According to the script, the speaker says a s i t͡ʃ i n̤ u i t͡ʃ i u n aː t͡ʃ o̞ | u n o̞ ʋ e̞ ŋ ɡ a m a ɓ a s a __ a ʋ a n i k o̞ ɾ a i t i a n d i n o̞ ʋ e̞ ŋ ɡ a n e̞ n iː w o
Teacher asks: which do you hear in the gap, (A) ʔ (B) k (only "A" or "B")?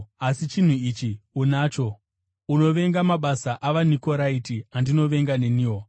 A